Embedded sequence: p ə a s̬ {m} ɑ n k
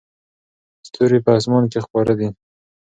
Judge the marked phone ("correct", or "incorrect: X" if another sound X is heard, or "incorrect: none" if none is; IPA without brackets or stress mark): correct